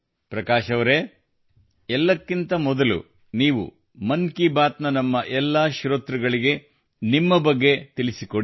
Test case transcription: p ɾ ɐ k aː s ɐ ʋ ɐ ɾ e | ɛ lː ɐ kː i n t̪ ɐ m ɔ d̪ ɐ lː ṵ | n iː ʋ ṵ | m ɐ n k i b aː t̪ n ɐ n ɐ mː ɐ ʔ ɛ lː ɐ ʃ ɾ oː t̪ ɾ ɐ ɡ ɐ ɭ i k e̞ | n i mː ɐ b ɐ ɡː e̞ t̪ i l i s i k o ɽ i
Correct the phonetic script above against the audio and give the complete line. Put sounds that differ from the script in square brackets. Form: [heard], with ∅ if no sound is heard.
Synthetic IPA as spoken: p ɾ ɐ k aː [ʃ] ɐ ʋ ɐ ɾ e | ɛ lː ɐ kː i n t̪ ɐ m ɔ d̪ ɐ [l] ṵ | n iː ʋ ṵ | m ɐ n k i b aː t̪ n ɐ n ɐ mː ɐ ʔ ɛ lː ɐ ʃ ɾ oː t̪ ɾ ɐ ɡ ɐ ɭ i [ɡ] e̞ | n i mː ɐ b ɐ ɡː e̞ t̪ i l i s i k o ɽ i